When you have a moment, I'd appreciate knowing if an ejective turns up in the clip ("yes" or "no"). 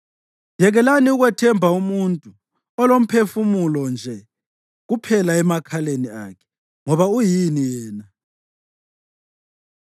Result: yes